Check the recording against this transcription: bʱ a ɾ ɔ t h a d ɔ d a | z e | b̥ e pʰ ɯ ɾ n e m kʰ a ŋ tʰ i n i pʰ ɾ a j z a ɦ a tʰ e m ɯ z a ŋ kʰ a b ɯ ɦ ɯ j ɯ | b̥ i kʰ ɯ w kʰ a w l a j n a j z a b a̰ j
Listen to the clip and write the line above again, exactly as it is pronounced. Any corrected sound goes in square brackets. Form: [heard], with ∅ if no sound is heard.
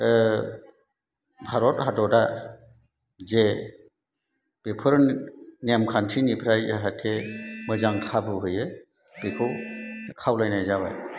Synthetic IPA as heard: bʱ a ɾ ɔ t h a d ɔ d a | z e | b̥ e pʰ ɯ ɾ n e m kʰ a [n] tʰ i n i pʰ ɾ a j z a ɦ a tʰ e m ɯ z a ŋ kʰ a b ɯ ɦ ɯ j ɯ | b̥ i kʰ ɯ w kʰ a w l a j n a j z a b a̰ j

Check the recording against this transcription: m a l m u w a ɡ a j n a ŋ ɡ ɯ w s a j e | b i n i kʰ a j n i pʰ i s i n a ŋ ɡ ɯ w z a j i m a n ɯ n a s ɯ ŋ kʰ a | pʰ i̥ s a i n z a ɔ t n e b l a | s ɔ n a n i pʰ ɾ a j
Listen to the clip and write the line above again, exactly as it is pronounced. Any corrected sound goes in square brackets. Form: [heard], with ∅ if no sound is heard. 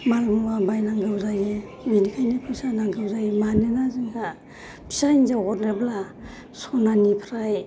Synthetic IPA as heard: m a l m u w a [b] a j n a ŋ ɡ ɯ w [z] a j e | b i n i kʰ a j n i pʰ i s [a] n a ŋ ɡ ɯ w z a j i m a n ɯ n a [z] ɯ ŋ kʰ a | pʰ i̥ s a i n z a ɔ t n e b l a | s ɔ n a n i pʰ ɾ a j

